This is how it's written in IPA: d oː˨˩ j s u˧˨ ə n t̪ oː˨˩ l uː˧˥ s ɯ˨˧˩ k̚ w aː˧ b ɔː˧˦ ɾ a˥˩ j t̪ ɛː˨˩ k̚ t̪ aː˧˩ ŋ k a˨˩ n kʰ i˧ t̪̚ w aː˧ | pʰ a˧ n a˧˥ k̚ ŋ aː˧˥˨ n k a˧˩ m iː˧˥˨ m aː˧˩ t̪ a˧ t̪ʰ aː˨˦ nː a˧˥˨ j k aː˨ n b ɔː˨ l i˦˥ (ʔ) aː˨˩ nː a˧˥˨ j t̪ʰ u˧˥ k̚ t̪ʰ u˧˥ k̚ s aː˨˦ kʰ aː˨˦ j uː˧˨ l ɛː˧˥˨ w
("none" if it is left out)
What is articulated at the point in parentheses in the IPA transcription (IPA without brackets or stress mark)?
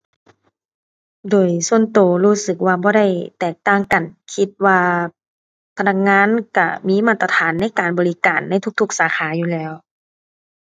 k